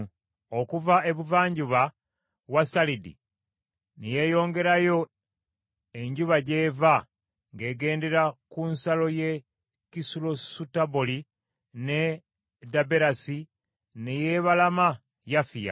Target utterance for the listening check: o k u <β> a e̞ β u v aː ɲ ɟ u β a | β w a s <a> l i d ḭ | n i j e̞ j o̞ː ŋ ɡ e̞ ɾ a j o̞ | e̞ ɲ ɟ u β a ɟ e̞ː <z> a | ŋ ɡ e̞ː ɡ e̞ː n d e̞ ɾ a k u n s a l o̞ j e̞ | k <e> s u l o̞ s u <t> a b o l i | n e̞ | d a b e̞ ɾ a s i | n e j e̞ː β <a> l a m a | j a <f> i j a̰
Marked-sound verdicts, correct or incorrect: incorrect: v, correct, incorrect: v, incorrect: i, correct, correct, correct

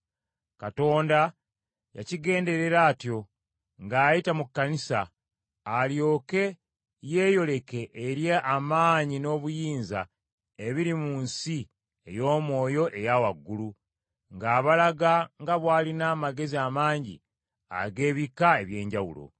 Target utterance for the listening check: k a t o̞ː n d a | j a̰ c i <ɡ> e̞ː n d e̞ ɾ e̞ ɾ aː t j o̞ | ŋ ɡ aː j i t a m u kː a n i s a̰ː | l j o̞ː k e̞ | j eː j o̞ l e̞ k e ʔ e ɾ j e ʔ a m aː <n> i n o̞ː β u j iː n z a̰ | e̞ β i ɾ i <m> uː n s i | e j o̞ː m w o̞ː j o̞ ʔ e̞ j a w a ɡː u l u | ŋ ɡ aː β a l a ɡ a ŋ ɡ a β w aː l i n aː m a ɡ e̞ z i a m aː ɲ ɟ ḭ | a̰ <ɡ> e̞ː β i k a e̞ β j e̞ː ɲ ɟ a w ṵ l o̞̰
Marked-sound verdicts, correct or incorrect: correct, incorrect: ɲ, correct, correct

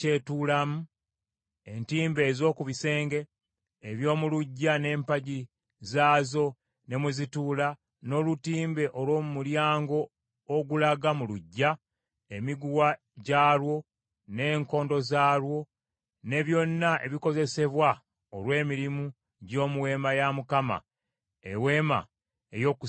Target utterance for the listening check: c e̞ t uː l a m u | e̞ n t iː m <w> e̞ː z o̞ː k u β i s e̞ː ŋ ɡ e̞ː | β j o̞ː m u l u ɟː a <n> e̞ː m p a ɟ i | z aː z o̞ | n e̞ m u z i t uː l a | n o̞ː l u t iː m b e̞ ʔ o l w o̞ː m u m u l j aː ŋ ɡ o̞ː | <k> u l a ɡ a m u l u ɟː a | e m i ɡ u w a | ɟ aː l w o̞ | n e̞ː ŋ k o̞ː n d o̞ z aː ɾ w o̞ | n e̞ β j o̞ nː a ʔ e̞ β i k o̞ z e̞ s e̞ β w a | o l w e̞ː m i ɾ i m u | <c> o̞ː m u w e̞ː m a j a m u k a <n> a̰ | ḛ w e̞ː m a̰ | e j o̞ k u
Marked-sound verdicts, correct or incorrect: incorrect: b, correct, incorrect: ɡ, incorrect: ɟ, incorrect: m

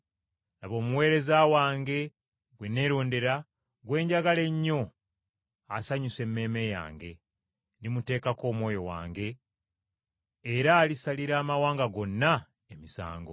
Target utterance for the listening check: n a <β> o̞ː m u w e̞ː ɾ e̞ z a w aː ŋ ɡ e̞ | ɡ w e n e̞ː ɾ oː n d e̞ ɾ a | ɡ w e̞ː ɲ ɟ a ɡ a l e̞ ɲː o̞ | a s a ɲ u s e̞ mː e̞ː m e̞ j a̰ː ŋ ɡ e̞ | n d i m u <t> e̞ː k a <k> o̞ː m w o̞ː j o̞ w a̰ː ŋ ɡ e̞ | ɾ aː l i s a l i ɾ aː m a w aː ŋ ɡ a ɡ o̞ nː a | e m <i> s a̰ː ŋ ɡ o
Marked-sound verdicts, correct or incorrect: correct, correct, correct, correct

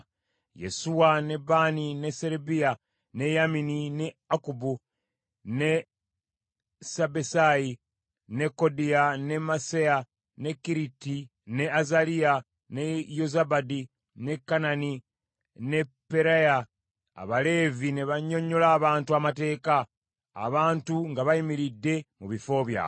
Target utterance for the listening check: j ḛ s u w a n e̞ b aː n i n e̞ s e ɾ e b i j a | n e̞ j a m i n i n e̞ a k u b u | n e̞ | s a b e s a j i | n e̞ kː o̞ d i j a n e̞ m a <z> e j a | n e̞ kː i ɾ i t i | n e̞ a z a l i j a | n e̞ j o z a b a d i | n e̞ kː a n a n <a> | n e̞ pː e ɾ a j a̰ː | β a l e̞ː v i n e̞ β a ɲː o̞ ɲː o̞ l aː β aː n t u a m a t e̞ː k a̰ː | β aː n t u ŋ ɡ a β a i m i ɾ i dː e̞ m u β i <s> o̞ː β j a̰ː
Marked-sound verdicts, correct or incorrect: incorrect: s, incorrect: i, incorrect: f

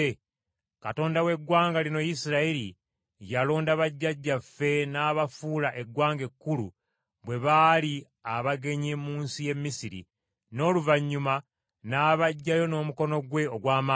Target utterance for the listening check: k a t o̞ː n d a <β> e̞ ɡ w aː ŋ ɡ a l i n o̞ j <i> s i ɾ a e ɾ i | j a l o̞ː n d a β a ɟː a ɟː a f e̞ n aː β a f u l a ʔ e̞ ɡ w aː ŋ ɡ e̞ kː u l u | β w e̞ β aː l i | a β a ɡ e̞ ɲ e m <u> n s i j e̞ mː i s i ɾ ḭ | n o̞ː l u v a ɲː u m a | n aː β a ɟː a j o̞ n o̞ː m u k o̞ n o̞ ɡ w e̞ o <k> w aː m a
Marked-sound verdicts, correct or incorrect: incorrect: w, correct, incorrect: uː, incorrect: ɡ

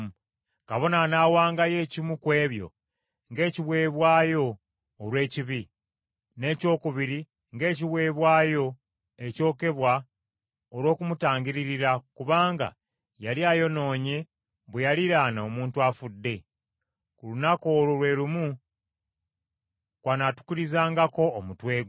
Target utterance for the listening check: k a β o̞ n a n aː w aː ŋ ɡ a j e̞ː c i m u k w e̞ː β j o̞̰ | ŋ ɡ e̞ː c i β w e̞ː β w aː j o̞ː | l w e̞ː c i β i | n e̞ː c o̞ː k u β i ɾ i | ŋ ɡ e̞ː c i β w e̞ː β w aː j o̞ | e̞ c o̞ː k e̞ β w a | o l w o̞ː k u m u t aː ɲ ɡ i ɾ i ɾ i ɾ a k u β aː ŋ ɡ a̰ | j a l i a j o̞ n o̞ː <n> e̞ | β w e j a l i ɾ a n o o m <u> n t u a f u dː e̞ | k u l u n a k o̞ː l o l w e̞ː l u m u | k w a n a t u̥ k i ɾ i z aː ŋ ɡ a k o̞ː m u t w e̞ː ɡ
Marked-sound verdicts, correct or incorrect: incorrect: ɲ, incorrect: uː

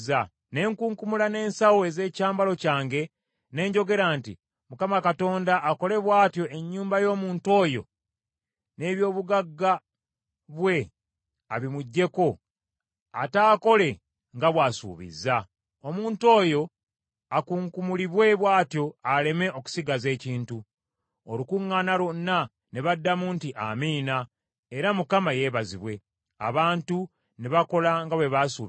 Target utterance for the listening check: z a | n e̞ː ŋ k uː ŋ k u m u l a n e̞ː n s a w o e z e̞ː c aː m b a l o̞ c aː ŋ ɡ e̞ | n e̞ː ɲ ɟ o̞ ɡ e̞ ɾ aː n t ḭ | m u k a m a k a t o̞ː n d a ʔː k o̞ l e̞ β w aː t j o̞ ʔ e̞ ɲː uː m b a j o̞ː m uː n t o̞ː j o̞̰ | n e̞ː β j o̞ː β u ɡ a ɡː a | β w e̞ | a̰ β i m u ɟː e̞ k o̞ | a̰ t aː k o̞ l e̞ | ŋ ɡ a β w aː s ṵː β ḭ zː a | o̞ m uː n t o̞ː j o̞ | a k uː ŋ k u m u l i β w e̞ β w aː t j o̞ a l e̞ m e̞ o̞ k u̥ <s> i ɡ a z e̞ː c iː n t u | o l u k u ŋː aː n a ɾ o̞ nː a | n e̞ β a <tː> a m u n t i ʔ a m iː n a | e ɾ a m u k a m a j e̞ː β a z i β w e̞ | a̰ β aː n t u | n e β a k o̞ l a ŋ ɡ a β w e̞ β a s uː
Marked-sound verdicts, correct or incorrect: correct, incorrect: dː

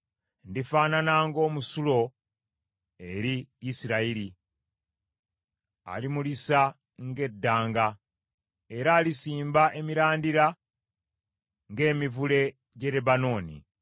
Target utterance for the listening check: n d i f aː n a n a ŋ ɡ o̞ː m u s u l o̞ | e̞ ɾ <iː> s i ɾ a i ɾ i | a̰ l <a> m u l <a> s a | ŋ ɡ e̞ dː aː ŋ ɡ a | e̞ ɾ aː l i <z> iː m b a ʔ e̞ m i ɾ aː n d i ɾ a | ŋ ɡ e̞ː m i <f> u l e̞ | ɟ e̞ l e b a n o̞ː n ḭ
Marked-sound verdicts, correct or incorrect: correct, incorrect: i, incorrect: i, incorrect: s, incorrect: v

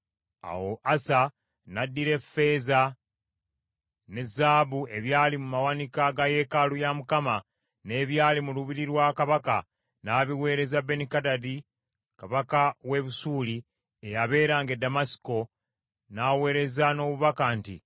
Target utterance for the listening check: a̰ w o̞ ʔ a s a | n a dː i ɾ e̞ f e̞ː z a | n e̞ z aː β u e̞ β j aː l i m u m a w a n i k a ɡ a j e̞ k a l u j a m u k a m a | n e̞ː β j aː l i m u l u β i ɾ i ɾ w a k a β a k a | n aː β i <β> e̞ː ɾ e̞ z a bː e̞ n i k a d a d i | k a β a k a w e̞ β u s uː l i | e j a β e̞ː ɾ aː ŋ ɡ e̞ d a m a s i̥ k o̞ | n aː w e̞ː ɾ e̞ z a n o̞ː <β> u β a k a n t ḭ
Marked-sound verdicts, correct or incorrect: incorrect: w, correct

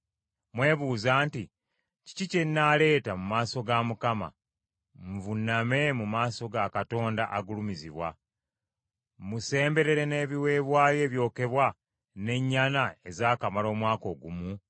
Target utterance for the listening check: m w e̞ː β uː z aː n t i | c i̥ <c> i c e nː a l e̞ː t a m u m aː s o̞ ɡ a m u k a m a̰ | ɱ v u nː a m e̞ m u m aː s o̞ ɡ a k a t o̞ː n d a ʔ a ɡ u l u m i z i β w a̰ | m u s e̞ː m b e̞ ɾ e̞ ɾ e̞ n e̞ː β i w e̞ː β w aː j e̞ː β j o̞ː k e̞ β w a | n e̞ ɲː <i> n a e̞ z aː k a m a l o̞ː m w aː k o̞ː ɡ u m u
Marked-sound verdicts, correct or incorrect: correct, incorrect: a

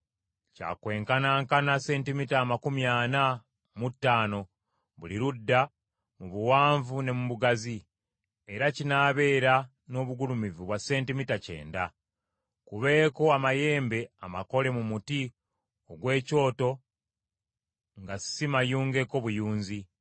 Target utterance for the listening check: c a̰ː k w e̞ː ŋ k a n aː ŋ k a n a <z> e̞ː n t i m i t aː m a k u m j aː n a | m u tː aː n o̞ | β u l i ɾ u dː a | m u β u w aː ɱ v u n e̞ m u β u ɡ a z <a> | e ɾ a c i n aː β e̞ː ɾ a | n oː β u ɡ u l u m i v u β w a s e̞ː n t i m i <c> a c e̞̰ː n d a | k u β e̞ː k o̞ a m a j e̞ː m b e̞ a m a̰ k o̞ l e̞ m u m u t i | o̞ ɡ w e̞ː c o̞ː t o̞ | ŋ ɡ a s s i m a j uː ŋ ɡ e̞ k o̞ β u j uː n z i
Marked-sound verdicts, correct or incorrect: incorrect: s, incorrect: i, incorrect: t

